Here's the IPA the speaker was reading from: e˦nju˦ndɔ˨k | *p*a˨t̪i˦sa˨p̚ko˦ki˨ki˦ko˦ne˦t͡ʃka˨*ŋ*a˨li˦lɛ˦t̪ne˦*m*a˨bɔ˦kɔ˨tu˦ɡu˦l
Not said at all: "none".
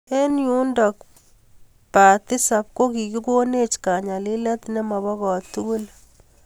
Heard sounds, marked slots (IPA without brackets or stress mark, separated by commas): p, ɲ, m